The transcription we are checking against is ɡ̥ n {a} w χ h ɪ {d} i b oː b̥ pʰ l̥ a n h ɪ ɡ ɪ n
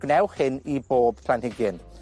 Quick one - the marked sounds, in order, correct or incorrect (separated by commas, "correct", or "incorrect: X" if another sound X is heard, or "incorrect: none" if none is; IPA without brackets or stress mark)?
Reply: incorrect: ɛ, incorrect: n